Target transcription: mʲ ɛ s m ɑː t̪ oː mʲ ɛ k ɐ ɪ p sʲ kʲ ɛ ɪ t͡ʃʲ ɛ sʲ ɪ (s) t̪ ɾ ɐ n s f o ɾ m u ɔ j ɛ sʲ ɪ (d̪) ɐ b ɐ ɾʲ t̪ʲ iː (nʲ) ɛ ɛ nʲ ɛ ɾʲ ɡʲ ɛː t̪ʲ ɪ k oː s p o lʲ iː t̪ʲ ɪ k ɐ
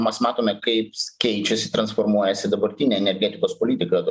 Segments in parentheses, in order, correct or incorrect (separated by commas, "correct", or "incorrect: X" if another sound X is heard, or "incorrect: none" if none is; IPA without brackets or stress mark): incorrect: none, correct, correct